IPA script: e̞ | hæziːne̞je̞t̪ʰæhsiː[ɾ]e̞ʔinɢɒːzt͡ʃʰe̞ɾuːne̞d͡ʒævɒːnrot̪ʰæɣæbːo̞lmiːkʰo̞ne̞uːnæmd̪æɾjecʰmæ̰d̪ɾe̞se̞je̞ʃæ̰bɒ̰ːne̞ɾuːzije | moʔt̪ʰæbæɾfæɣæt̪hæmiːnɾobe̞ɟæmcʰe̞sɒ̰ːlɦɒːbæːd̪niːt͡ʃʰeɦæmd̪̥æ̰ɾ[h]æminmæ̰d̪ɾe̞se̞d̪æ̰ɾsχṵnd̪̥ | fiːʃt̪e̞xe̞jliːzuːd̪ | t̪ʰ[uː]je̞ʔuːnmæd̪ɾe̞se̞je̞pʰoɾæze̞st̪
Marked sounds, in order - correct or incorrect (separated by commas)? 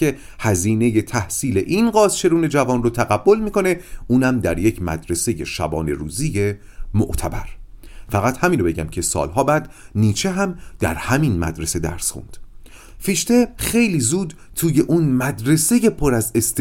incorrect, correct, correct